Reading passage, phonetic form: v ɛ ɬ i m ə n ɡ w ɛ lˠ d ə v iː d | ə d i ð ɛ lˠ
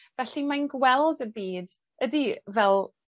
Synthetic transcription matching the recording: v ɛ ɬ i m a n ɡ w ɛ lˠ d ə b iː d | ə d i v ɛ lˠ